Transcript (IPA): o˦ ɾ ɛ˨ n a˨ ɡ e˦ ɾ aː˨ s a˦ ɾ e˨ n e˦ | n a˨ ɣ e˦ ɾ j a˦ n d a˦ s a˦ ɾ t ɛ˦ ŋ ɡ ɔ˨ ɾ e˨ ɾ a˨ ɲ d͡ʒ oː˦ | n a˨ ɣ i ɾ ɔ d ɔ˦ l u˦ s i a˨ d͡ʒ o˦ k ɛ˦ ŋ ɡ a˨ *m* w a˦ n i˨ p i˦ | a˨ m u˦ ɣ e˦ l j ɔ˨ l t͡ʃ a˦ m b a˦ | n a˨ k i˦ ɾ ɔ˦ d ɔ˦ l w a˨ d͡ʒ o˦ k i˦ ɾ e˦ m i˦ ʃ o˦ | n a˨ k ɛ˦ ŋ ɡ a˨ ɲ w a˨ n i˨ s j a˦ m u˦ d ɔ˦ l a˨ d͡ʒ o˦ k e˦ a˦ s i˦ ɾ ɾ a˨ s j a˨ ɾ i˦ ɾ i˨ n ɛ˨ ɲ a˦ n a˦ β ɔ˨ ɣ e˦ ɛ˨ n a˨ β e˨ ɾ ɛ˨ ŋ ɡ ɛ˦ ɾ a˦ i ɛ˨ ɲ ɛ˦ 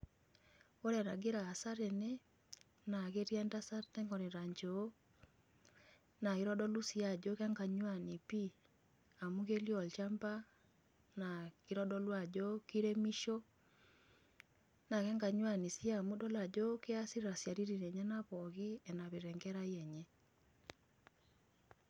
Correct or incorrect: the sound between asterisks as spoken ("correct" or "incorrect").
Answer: incorrect